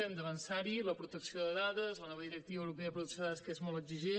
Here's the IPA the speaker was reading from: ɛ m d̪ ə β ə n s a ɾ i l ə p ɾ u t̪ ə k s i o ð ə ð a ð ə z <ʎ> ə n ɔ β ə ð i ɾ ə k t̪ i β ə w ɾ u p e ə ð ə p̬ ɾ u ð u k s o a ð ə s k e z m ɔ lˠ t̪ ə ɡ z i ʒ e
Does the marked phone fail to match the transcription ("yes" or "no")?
yes